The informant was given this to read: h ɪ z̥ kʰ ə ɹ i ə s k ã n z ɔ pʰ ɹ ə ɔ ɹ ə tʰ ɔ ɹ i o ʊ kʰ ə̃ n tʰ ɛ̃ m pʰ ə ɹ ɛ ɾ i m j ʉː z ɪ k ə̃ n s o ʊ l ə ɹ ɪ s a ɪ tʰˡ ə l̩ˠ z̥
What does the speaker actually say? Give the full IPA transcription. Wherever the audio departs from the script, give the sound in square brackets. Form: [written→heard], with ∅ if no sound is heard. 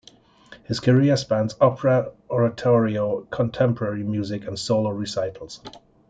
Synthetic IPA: h ɪ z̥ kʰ ə ɹ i ə s [k→p] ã n z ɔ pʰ ɹ ə ɔ ɹ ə tʰ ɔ ɹ i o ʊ kʰ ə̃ n tʰ ɛ̃ m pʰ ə ɹ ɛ [ɾ→ɹ] i m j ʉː z ɪ k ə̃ n s o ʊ l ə ɹ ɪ s a ɪ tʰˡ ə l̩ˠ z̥